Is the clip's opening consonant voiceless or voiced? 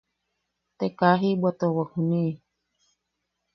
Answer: voiceless